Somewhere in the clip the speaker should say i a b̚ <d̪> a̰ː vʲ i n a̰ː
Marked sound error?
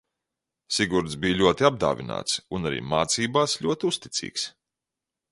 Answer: no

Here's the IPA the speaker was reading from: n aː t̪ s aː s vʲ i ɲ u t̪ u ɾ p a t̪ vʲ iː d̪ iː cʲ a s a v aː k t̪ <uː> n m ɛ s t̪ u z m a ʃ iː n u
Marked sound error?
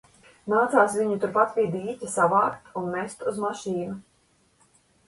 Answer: yes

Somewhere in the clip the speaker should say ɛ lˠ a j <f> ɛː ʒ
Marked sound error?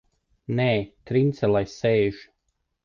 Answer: yes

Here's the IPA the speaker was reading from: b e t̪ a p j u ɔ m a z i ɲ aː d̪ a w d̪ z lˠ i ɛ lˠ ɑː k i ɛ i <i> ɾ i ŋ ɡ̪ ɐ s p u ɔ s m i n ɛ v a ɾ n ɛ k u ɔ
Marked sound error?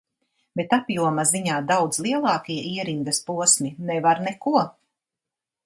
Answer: yes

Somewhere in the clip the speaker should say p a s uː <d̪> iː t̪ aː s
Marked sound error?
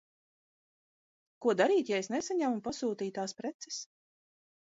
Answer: yes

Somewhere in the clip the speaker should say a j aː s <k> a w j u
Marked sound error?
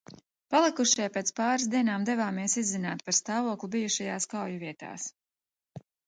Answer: no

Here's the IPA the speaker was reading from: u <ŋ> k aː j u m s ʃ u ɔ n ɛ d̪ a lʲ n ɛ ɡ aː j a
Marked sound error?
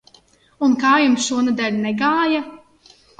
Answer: yes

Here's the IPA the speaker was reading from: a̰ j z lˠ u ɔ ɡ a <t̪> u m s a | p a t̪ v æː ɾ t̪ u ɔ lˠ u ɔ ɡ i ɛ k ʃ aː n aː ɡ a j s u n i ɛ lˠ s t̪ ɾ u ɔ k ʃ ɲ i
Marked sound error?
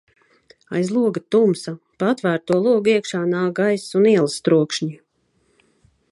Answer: no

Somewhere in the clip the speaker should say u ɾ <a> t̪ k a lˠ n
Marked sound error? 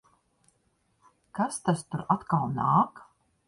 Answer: no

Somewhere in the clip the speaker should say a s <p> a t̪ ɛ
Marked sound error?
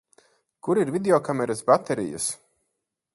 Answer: yes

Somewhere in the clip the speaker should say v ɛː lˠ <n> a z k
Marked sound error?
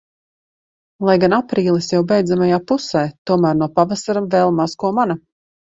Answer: yes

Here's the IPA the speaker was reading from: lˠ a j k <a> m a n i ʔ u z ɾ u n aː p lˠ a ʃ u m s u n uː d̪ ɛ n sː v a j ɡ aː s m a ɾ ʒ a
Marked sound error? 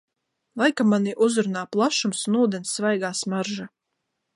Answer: no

